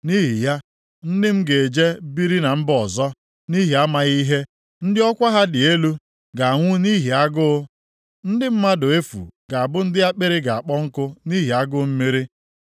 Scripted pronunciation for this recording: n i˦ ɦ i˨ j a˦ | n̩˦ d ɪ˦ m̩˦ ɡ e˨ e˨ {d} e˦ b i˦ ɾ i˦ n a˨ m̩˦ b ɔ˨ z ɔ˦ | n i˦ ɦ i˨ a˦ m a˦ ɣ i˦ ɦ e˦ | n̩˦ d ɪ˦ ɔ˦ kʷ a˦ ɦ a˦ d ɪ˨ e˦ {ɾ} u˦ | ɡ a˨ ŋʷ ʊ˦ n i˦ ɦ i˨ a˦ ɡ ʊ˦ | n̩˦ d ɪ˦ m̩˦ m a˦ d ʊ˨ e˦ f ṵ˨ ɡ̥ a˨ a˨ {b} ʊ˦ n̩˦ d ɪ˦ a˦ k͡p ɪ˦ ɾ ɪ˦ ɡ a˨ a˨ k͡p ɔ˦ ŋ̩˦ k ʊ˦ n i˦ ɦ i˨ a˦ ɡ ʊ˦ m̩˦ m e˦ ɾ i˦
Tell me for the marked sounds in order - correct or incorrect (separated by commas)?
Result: incorrect, incorrect, correct